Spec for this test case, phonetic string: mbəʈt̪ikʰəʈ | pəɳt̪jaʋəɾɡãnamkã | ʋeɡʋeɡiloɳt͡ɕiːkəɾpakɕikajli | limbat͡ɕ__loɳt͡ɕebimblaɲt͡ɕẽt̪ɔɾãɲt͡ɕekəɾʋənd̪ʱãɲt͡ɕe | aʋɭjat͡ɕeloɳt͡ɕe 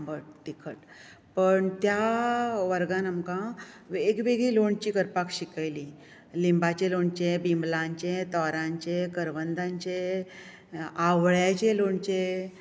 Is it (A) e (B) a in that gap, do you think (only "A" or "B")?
A